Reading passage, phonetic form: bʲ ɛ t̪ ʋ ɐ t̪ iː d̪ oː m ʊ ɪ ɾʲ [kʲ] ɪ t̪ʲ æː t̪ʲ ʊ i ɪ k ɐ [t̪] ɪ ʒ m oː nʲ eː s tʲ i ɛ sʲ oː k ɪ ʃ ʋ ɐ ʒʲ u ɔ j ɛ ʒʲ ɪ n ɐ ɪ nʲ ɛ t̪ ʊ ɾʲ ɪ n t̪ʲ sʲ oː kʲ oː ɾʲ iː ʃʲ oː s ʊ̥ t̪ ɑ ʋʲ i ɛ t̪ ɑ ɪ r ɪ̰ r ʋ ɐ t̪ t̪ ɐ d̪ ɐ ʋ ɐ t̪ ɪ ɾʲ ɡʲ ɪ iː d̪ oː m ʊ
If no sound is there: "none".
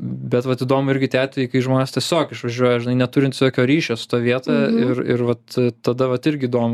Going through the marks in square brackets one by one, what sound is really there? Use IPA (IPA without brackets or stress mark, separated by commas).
ɡʲ, none